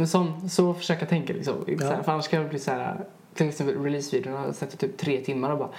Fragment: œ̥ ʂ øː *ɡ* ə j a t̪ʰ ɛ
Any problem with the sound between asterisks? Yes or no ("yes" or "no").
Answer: yes